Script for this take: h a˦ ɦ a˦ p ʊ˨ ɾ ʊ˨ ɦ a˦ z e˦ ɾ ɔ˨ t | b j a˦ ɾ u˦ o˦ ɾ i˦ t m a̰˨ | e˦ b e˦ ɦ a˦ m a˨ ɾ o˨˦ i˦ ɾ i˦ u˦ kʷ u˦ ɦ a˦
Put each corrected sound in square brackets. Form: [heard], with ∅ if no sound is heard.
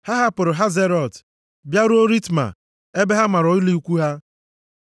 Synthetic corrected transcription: h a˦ ɦ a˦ p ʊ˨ ɾ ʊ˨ ɦ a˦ z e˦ ɾ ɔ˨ t | b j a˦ ɾ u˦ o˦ ɾ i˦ t m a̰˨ | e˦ b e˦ ɦ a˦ m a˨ ɾ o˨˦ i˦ [l] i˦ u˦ kʷ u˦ ɦ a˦